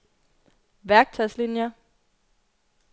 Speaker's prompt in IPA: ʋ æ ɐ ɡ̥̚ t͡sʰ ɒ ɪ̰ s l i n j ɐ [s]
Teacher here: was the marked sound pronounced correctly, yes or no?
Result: no